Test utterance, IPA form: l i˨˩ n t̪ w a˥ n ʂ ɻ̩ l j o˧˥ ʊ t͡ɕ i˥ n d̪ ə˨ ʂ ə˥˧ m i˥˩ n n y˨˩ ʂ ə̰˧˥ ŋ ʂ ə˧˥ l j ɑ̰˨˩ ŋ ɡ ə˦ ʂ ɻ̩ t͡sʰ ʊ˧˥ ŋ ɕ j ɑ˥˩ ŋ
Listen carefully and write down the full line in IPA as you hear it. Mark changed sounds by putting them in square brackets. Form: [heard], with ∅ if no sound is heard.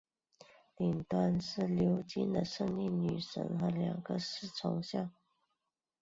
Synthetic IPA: l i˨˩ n t̪ w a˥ n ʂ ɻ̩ l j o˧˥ ʊ t͡ɕ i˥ n d̪ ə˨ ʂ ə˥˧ [ŋ] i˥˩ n n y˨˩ ʂ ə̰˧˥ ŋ [x] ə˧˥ l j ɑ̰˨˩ ŋ ɡ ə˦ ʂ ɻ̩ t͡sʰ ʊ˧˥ ŋ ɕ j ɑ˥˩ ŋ